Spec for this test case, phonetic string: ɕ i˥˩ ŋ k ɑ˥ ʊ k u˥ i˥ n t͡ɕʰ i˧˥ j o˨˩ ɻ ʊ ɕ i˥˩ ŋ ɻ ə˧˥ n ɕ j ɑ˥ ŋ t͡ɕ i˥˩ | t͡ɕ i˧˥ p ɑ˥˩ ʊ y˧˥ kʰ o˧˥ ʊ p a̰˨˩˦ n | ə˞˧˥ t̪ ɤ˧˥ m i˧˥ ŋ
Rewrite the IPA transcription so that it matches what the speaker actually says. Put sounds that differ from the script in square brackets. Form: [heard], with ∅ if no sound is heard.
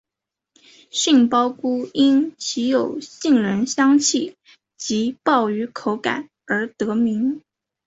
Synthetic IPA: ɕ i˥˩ ŋ [p] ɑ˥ ʊ k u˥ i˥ n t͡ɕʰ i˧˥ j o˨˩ [∅] ʊ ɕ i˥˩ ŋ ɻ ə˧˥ n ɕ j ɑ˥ ŋ [t͡ɕʰ] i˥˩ | t͡ɕ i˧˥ p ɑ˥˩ ʊ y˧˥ kʰ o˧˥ ʊ [k] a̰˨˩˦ n | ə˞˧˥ t̪ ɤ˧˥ m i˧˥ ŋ